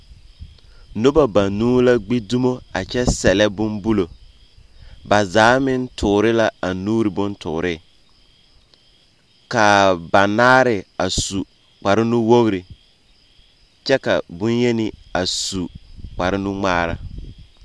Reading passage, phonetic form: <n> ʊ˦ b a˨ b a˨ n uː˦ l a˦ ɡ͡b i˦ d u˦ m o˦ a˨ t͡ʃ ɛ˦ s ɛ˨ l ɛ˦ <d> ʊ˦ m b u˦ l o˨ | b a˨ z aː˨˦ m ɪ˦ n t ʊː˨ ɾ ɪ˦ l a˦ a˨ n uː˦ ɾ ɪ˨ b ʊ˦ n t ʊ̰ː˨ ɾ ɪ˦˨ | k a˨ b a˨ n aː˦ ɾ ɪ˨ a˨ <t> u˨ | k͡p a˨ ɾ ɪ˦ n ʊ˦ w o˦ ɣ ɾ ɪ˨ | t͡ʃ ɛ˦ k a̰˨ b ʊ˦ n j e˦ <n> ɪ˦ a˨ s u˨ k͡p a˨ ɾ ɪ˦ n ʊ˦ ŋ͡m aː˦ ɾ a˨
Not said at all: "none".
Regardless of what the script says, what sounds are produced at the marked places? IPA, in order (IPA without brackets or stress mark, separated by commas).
n, b, s, n